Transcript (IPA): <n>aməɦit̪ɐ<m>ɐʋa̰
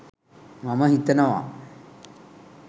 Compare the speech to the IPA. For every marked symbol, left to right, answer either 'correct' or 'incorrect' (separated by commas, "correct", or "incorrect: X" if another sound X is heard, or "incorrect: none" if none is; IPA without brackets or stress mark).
incorrect: m, incorrect: n